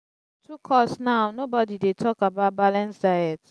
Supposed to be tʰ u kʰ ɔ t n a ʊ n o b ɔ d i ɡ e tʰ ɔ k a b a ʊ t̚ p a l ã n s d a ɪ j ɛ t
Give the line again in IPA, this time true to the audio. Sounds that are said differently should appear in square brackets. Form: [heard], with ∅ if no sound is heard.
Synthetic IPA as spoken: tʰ u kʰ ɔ [s] n a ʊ n o b ɔ d i [d] e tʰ ɔ k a b a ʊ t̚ [b] a l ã n s d a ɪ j ɛ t